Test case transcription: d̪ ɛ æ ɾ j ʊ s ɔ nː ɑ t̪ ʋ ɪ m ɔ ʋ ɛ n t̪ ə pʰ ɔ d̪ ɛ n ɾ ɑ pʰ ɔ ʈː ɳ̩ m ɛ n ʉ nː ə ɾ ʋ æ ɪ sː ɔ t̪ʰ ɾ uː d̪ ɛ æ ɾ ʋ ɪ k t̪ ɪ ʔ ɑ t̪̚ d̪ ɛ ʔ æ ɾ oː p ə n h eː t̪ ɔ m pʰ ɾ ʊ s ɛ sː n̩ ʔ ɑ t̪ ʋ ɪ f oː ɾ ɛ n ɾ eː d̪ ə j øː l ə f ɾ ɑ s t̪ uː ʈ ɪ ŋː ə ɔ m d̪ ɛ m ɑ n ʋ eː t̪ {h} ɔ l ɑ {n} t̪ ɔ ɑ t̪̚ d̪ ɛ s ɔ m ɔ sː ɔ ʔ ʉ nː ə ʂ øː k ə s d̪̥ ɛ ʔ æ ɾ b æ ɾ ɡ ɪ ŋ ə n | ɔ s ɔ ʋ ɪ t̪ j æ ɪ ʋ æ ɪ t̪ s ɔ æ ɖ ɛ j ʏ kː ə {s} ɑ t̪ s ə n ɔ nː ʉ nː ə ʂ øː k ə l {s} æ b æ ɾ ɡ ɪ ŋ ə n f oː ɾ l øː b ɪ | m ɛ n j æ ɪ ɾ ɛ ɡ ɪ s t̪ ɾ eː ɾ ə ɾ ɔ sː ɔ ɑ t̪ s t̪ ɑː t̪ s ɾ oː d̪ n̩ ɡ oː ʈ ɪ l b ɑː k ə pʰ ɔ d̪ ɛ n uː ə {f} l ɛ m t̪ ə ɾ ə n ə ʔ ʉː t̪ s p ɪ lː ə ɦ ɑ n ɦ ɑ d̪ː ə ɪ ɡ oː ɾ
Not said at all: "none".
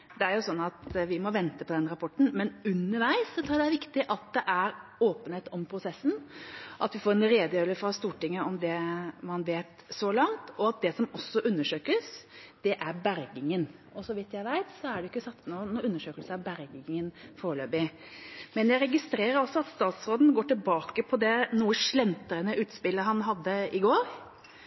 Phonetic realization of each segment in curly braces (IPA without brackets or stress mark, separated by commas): s, ŋ, s, s, ʂ